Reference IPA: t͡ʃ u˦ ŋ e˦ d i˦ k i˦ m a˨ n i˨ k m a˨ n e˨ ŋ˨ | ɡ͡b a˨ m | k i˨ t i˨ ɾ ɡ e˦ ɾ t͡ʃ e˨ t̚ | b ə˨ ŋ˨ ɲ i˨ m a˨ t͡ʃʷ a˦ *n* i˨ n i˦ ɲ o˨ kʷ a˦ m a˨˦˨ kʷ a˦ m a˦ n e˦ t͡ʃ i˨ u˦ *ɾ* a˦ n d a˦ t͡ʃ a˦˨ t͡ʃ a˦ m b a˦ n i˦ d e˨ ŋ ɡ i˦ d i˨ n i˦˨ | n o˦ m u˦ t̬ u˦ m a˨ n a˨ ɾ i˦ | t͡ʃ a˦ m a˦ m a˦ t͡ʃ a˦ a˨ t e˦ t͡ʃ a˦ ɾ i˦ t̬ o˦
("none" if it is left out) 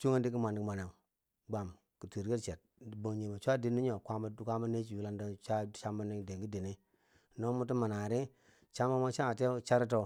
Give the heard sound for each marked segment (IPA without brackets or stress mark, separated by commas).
d, l